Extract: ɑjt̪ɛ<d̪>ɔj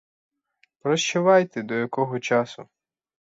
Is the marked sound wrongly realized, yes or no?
no